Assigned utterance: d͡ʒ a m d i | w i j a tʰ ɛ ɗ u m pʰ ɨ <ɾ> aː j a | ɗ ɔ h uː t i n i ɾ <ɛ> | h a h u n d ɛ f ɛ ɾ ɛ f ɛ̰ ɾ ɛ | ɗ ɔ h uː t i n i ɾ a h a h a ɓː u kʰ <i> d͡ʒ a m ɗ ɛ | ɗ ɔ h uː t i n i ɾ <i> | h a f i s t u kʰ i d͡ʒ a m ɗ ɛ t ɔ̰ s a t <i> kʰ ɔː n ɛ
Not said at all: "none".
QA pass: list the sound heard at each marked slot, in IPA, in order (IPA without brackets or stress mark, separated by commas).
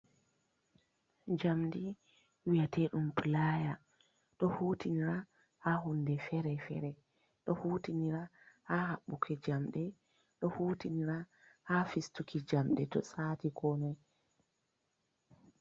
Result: l, a, ɛ, a, i